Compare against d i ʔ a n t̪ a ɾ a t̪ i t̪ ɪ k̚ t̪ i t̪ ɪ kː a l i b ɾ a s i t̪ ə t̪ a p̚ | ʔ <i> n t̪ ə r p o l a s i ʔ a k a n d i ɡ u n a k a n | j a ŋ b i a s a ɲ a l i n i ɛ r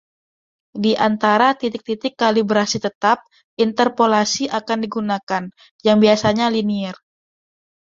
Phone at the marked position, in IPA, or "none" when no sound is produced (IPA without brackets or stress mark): i